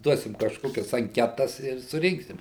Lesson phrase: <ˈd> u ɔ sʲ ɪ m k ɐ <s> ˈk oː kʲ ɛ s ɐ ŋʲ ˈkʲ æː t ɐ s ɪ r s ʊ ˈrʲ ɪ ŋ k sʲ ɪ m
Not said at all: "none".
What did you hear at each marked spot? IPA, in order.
d, ʃ

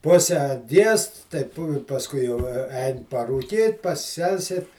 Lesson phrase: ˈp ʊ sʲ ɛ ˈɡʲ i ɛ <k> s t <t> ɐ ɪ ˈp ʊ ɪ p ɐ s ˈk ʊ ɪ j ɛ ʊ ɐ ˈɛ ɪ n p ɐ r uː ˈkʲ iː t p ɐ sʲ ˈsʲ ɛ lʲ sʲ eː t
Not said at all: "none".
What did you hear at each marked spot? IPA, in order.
none, t

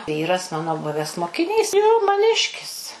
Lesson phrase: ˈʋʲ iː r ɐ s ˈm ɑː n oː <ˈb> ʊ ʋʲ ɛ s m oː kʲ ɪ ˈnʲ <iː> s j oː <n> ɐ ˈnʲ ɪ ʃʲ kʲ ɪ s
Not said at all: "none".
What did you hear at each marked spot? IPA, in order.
b, iː, m

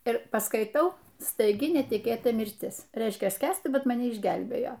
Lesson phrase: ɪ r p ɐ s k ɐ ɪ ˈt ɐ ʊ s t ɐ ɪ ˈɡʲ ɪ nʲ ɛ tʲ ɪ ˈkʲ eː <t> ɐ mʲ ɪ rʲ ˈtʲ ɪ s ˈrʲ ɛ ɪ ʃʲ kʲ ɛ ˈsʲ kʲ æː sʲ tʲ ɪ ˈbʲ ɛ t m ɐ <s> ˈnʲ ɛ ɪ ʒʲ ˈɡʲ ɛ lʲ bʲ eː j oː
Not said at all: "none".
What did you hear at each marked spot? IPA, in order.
t, none

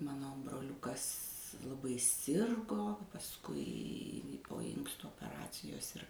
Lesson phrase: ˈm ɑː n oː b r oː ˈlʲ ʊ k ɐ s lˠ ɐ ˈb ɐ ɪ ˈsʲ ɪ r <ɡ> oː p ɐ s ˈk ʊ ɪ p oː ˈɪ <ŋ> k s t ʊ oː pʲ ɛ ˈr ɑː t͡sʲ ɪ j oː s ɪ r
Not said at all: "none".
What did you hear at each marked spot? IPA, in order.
ɡ, ŋ

